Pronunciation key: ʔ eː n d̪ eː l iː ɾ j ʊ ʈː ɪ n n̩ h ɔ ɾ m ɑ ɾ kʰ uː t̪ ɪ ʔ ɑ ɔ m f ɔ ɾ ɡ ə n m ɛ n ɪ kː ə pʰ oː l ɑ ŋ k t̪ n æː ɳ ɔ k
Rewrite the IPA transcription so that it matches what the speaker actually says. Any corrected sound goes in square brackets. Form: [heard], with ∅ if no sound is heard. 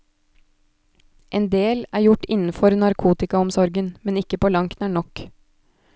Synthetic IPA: ʔ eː n d̪ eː l [æː] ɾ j ʊ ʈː ɪ n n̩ [f] ɔ ɾ [n] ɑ ɾ kʰ uː t̪ ɪ [k] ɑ ɔ m [s] ɔ ɾ ɡ ə n m ɛ n ɪ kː ə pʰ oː l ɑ ŋ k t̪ n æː ɳ ɔ k